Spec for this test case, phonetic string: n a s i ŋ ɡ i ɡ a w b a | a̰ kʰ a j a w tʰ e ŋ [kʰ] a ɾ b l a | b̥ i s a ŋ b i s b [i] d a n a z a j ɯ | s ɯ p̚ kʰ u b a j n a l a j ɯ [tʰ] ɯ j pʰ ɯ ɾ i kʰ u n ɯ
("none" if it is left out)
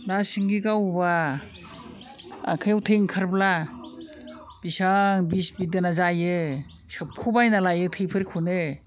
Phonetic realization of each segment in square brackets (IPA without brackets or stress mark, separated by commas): kʰ, i, tʰ